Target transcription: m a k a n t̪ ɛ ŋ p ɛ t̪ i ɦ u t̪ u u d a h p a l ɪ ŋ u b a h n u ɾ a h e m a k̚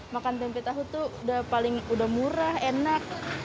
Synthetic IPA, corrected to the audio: m a k a n t̪ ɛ m p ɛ t̪ a ɦ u t̪ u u d a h p a l ɪ ŋ u d a h m u ɾ a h e n a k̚